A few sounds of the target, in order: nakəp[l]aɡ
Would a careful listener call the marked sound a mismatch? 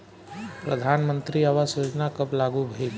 no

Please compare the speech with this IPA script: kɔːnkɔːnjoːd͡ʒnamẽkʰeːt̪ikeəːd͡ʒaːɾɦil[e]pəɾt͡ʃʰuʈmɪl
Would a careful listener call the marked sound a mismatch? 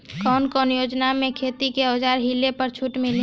no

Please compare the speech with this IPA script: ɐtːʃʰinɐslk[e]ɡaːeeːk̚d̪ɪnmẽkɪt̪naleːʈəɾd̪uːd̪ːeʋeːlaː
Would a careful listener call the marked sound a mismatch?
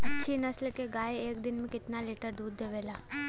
no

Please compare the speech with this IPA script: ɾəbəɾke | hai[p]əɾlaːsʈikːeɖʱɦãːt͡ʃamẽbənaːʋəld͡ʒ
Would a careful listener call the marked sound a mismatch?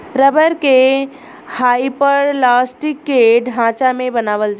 no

